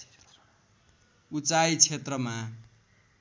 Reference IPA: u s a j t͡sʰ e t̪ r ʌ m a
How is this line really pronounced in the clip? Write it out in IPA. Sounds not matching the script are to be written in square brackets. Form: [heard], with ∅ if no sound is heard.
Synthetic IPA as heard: u [t͡s] a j t͡sʰ e t̪ r ʌ m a